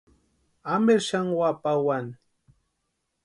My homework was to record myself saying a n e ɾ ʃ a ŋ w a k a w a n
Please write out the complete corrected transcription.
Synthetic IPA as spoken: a m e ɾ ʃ a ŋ w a p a w a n